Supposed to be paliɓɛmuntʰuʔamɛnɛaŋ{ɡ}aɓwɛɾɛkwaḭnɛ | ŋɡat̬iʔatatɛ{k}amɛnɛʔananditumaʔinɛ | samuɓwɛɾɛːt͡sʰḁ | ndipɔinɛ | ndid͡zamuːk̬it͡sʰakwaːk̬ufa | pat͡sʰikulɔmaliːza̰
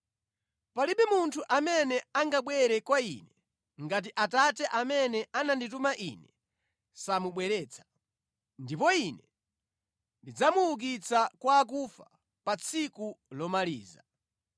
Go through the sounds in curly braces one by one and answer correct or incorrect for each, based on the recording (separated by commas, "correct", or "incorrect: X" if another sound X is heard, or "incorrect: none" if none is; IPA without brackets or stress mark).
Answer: correct, incorrect: ʔ